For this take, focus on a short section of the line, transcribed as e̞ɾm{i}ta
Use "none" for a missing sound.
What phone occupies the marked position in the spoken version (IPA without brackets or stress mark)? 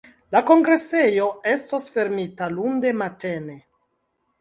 i